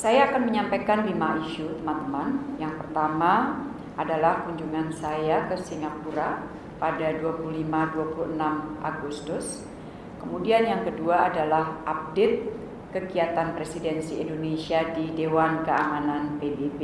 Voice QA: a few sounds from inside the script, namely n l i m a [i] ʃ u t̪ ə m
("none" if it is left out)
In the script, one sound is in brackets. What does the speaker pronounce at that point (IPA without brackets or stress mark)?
i